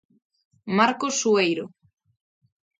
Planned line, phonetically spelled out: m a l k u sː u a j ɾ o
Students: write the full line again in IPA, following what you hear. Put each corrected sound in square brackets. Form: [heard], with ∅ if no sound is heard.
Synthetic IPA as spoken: m a [ɾ] k [o] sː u [e] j ɾ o